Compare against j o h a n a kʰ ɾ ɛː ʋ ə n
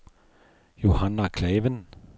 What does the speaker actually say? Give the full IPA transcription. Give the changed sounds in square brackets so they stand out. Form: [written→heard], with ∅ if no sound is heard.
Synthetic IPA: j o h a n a kʰ [ɾ→l] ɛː ʋ ə n